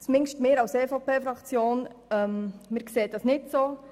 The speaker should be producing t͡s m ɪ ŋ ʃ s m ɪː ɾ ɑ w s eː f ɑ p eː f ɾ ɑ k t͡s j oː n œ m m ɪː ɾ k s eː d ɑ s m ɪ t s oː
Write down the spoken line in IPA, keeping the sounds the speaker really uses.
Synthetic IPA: t͡s m ɪ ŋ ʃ t m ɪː ɾ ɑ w s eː f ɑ p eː f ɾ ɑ k t͡s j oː n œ m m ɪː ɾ k s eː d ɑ s n ɪ t s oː